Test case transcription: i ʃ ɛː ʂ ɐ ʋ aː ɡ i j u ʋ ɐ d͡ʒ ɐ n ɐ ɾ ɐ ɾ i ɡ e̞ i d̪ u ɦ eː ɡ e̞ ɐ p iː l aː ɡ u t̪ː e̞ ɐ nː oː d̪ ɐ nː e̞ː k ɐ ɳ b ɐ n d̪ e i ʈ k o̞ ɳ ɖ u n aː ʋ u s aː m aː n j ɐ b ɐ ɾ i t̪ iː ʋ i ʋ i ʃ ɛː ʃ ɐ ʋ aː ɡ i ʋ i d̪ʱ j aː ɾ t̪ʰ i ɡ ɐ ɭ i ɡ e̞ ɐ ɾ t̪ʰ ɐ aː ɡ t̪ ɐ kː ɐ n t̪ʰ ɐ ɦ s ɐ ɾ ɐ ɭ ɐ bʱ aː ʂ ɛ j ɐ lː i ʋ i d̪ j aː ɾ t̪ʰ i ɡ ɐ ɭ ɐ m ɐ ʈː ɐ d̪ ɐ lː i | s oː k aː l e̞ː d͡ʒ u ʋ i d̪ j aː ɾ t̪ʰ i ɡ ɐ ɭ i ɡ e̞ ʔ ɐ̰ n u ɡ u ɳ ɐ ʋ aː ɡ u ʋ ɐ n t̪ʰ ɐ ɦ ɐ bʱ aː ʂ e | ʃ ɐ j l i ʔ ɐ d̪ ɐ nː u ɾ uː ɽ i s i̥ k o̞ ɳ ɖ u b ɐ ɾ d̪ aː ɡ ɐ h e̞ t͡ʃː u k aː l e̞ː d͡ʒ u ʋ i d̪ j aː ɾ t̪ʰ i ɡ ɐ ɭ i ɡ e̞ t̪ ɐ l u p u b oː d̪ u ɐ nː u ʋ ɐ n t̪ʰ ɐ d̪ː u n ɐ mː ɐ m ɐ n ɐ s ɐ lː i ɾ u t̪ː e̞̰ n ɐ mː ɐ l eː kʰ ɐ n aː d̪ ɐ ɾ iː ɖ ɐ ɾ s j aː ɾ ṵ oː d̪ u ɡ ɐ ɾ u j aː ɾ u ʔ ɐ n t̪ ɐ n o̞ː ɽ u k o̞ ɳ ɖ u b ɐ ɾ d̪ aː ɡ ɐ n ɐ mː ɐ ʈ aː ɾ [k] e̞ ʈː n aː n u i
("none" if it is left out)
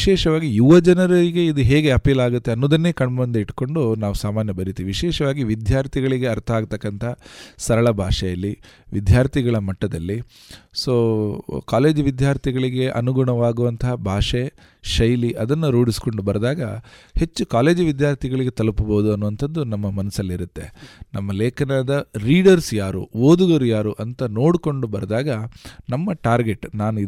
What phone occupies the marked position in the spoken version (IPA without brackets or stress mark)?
ɡ